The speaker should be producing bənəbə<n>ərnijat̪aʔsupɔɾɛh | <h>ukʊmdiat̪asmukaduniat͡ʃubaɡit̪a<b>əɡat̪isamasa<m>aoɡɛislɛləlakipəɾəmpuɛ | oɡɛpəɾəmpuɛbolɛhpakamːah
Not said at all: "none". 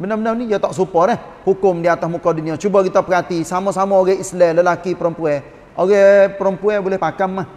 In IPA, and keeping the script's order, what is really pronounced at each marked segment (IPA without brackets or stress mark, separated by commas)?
n, h, p, m